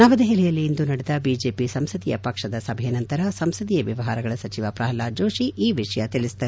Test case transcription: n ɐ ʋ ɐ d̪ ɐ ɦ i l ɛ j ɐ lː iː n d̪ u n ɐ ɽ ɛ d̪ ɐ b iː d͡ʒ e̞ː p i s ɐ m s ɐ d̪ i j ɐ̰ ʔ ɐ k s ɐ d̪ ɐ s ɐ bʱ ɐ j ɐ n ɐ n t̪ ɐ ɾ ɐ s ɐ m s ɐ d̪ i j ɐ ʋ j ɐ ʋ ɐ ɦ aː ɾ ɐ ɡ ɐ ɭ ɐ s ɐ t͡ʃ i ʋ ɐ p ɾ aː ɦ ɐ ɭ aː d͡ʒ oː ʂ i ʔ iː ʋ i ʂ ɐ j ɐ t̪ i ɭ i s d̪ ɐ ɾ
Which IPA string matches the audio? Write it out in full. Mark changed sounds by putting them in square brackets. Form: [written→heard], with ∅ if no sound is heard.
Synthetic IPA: n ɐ ʋ ɐ d̪ ɐ ɦ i l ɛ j ɐ lː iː n d̪ u n ɐ ɽ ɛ d̪ ɐ b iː d͡ʒ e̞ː p i s ɐ m s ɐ d̪ i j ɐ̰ [ʔ→p] ɐ k [s→ʂ] ɐ d̪ ɐ s ɐ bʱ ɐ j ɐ n ɐ n t̪ ɐ ɾ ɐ s ɐ m s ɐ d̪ i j ɐ ʋ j ɐ ʋ ɐ ɦ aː ɾ ɐ ɡ ɐ ɭ ɐ s ɐ t͡ʃ i ʋ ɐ p ɾ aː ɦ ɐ [ɭ→l] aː d͡ʒ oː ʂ i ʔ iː ʋ i ʂ ɐ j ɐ t̪ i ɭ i s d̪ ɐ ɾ